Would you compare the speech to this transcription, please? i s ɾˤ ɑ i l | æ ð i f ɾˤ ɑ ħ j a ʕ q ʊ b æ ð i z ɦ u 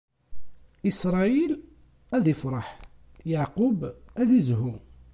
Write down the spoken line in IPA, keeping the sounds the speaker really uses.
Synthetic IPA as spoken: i s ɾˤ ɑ i l | æ ð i f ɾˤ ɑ ħ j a ʕ q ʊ b æ ð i z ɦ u